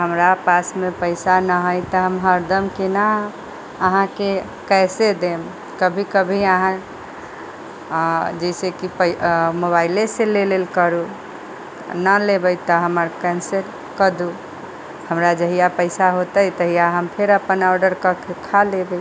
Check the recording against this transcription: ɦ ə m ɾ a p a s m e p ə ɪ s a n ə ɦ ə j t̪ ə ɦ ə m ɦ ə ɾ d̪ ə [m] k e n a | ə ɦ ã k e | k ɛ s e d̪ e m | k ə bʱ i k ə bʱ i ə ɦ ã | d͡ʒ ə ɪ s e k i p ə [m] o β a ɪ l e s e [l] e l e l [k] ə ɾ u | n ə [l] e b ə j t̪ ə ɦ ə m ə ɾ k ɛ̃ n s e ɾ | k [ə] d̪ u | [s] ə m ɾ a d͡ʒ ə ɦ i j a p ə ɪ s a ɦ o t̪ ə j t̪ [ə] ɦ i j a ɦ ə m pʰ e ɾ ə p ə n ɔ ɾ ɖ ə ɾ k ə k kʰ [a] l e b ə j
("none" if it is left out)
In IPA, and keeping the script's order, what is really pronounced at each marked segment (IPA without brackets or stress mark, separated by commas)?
m, m, l, k, l, ə, h, ə, a